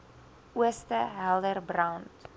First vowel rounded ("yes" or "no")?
yes